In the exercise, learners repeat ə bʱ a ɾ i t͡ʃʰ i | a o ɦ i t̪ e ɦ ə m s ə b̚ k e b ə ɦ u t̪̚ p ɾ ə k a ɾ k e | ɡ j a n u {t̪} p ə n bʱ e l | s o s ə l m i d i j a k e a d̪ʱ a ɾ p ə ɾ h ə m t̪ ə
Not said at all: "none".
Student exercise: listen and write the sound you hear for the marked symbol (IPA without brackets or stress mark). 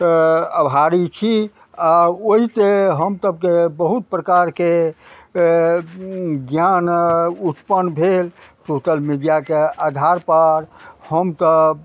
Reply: t̪